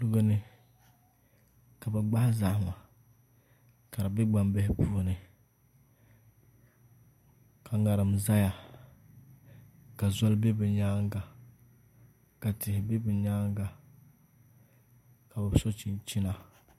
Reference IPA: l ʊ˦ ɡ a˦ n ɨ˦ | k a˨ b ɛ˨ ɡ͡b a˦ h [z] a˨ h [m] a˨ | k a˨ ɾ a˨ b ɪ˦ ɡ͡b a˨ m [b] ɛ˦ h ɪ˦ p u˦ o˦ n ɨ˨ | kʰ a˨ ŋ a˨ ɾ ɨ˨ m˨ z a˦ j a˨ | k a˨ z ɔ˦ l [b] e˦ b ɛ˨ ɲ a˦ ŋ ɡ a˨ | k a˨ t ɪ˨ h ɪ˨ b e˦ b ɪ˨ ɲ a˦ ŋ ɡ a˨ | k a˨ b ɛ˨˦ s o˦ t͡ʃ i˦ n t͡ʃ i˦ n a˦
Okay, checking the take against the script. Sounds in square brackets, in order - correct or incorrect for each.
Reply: correct, correct, correct, correct

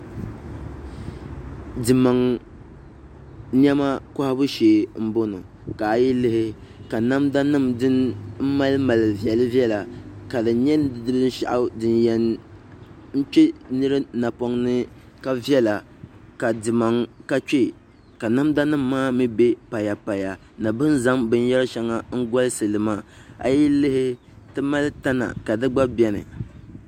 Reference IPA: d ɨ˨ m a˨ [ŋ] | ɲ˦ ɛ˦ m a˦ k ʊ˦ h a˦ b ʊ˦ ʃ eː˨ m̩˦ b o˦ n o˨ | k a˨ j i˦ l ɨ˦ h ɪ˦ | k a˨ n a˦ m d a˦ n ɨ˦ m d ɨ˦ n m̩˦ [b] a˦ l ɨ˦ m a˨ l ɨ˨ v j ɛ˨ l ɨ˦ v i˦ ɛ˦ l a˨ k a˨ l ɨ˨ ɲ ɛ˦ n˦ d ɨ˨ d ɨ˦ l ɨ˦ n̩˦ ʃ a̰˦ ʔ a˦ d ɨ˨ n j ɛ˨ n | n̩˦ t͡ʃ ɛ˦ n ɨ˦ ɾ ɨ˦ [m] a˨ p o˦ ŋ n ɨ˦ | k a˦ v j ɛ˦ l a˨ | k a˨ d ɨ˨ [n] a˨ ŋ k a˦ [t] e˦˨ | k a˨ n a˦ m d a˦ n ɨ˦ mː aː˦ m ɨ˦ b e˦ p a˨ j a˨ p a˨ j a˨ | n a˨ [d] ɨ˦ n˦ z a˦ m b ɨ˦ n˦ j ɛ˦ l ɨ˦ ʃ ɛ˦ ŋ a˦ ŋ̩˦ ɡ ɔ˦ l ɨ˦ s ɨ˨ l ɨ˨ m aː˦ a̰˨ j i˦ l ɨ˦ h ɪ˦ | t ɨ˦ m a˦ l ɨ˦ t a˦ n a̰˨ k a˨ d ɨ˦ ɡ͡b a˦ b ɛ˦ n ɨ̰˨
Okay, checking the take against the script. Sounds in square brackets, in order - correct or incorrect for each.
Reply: correct, incorrect: m, incorrect: n, incorrect: m, incorrect: t͡ʃ, incorrect: b

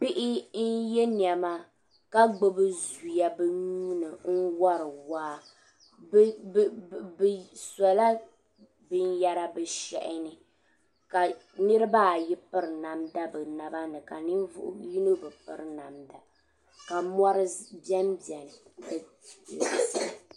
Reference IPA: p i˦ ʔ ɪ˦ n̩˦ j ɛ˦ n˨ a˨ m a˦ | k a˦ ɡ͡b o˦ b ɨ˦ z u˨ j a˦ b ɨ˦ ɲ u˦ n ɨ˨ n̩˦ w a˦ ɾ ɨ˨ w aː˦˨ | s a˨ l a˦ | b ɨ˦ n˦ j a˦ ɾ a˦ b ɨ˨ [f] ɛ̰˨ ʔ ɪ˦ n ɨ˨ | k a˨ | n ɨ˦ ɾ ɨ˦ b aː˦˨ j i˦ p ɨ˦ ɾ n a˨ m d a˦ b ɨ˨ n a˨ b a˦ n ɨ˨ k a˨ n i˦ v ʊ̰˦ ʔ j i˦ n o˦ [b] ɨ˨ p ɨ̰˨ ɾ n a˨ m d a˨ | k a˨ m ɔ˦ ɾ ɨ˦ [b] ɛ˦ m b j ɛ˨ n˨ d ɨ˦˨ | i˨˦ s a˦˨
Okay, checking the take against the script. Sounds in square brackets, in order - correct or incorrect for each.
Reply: incorrect: ʃ, correct, correct

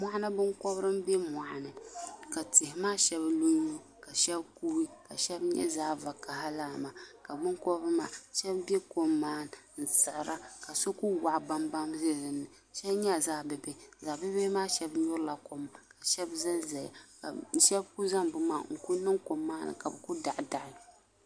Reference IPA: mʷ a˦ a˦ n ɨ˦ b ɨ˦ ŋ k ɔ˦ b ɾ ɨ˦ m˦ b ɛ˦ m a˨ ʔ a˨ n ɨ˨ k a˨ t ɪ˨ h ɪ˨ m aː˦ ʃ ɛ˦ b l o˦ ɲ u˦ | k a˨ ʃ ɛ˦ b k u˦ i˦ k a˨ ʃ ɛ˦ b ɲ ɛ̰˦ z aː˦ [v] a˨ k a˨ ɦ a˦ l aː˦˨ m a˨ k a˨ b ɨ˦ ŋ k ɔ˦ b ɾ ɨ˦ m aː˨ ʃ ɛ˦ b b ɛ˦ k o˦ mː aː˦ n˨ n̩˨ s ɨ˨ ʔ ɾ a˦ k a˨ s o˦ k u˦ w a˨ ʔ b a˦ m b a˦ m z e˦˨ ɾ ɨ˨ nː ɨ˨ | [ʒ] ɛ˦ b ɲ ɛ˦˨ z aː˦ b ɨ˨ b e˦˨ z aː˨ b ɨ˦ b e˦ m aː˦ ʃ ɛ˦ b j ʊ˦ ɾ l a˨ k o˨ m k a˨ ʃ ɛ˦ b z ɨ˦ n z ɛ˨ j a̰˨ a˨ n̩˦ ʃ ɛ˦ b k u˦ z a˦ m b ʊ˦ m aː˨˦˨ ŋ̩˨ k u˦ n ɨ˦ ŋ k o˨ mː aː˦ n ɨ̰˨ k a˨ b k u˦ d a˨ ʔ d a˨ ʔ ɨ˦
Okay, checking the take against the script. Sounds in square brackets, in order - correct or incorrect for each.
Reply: correct, incorrect: ʃ

